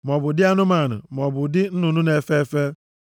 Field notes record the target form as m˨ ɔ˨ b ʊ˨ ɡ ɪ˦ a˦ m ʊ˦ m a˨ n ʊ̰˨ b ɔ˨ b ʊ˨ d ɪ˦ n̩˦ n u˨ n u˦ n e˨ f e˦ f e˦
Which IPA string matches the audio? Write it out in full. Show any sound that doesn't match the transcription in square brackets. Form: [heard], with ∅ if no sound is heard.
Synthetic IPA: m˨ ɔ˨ b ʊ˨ [d] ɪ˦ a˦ [n] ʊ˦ m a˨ n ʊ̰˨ [m] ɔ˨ b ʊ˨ d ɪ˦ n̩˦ n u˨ n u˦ n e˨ f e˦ f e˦